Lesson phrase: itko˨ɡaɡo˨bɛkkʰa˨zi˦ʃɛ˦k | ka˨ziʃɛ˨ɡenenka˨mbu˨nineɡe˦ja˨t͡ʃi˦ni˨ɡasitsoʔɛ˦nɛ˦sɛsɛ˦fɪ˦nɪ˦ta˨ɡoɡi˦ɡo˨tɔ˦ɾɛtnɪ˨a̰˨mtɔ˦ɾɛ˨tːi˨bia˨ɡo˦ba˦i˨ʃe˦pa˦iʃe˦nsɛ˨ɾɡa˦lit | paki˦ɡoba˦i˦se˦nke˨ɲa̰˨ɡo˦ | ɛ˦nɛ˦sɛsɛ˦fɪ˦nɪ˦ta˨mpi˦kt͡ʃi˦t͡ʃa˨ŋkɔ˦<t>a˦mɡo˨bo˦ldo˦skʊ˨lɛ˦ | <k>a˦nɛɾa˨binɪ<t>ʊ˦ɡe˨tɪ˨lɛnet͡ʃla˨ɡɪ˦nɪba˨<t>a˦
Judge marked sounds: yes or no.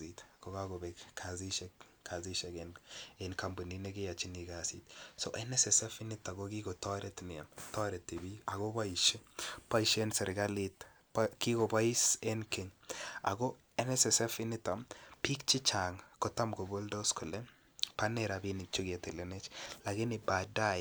yes, no, no, no

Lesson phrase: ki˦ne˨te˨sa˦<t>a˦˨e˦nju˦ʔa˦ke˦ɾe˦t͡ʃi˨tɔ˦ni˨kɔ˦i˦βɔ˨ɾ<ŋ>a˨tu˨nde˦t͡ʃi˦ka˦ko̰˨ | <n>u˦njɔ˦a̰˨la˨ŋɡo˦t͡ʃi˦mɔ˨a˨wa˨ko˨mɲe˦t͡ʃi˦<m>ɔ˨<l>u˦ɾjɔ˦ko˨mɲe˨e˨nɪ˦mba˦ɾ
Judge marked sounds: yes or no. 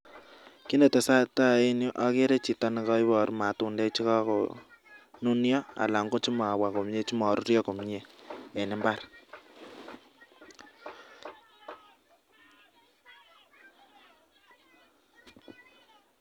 yes, no, yes, yes, no

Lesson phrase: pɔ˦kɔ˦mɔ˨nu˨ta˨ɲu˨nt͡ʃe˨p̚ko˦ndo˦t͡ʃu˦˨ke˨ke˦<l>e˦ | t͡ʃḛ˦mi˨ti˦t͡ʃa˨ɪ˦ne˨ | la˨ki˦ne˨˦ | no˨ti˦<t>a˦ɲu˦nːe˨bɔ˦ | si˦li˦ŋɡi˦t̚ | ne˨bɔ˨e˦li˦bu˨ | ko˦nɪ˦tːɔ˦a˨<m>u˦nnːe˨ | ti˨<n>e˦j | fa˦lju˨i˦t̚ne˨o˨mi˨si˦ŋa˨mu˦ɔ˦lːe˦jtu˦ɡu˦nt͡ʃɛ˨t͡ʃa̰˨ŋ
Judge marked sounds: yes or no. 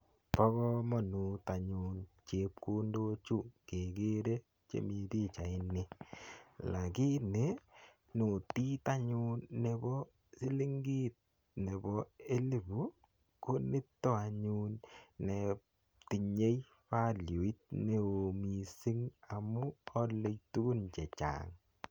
no, yes, no, no

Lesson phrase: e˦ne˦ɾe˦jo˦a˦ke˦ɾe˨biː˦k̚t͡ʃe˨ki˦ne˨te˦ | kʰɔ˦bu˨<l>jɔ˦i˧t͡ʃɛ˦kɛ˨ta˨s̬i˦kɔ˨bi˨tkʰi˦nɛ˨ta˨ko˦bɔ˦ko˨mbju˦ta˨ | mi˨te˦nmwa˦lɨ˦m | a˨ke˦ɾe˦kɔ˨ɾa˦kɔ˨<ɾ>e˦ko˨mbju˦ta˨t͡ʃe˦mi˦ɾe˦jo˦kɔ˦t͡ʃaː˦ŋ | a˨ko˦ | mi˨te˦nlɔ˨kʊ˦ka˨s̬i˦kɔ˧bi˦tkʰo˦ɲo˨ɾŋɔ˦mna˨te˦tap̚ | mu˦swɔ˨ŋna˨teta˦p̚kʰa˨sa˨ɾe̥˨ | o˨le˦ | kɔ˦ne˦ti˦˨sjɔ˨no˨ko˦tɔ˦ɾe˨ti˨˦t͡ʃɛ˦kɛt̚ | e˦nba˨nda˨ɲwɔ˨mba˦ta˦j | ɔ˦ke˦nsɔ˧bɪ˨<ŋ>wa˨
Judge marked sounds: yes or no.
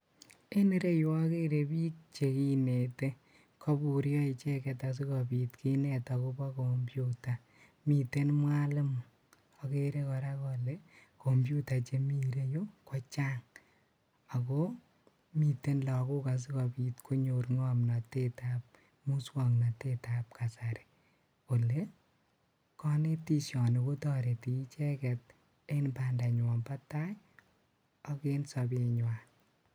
no, no, no

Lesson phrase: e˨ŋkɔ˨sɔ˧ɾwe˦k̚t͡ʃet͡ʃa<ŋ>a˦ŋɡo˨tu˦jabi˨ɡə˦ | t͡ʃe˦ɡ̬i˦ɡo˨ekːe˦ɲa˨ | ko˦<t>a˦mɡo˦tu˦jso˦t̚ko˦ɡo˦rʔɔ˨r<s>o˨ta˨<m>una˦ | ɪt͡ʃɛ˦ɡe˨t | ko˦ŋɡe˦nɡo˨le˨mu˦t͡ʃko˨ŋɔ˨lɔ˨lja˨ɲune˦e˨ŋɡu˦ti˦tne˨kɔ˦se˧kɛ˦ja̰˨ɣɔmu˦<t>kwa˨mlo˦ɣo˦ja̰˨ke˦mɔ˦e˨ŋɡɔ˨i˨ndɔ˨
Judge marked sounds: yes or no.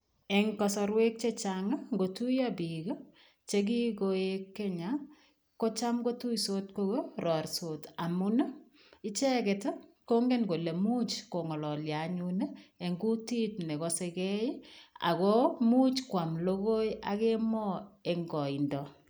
yes, no, yes, yes, no

